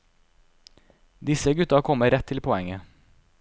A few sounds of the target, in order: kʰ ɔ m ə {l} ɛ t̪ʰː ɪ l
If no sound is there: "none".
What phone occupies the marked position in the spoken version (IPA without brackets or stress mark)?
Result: ɾ